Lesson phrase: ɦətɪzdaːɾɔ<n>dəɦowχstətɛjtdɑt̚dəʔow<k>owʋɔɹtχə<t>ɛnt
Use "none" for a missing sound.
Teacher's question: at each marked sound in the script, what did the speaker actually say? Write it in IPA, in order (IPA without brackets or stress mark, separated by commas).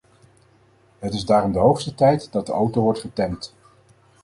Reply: m, t, t